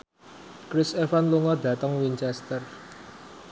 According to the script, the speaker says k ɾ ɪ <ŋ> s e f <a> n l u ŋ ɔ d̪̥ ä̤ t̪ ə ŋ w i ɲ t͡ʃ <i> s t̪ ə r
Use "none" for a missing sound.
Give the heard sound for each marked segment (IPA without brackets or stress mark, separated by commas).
none, a, ɛ